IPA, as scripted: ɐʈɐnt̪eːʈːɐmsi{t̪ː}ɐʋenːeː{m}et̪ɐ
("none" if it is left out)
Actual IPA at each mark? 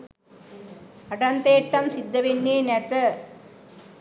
d̪ː, n

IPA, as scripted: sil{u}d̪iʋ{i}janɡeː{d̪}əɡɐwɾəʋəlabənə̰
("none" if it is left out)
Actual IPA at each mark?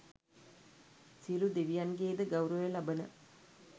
u, i, d̪

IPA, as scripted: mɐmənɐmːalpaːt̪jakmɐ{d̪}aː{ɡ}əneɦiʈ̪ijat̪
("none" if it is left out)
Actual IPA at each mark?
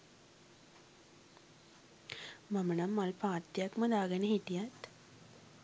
d̪, ɡ

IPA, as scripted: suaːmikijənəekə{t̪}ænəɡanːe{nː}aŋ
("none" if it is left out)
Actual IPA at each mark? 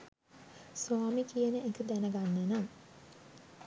d̪, n

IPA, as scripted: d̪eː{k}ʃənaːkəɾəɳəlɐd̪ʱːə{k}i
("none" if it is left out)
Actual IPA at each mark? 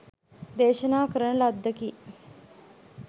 none, k

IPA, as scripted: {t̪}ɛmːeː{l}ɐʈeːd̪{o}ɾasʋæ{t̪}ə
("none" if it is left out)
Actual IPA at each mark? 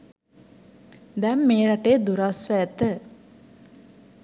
d̪, ɾ, u, t̪

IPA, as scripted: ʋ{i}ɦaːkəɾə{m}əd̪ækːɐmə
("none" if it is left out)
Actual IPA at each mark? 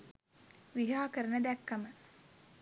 i, n

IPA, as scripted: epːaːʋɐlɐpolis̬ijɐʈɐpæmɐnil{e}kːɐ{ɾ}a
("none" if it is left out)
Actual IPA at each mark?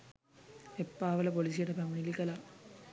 i, l

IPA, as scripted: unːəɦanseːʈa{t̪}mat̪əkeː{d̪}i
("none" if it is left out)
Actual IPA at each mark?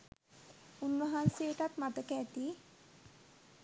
t̪, t̪

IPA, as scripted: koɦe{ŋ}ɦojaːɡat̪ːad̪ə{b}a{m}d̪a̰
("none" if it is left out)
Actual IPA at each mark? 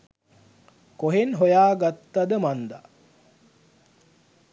n, m, n

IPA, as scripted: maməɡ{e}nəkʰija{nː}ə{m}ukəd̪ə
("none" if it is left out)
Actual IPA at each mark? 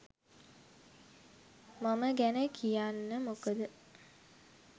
æ, nː, m

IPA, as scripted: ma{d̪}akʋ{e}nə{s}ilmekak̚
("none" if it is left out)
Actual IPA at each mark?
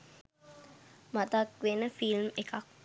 t̪, e, f

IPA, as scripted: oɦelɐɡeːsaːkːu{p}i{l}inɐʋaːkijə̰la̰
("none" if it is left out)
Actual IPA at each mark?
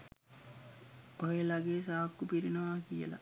p, ɾ

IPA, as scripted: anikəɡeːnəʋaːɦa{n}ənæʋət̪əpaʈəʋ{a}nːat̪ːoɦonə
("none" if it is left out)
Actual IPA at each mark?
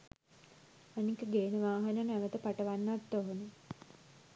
n, a

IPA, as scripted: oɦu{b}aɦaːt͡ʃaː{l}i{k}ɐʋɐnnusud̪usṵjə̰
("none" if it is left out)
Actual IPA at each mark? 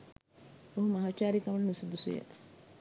m, ɾ, k

